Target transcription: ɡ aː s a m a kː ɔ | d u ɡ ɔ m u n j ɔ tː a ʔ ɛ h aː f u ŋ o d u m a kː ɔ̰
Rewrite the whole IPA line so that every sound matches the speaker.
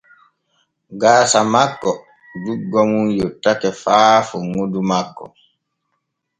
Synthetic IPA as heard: ɡ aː s a m a kː ɔ | d u ɡ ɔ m u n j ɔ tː a k ɛ f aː f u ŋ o d u m a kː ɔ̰